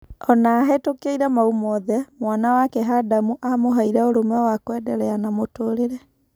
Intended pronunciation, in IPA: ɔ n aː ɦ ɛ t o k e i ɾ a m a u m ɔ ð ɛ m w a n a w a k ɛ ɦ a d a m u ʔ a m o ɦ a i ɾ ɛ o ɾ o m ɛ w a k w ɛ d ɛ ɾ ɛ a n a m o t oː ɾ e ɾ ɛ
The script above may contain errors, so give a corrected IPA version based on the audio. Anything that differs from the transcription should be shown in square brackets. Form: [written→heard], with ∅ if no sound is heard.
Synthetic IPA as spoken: ɔ n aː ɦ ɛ t o k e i ɾ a m a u m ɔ ð ɛ m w a n a w a k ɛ ɦ a d a m u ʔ a m o ɦ a i ɾ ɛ o ɾ o m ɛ w a k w ɛ d ɛ ɾ ɛ a n a m o t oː ɾ e ɾ ɛ